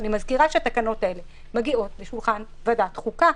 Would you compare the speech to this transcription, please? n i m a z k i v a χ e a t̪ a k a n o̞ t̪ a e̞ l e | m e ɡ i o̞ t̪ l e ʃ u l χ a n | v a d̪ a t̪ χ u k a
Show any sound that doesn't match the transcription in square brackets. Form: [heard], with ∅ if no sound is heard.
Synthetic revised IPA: n i m a z k i [ʁ] a [ʃ] e a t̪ a k a n o̞ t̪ a e̞ l e | m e ɡ i o̞ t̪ l e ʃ u l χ a n | v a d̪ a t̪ χ u k a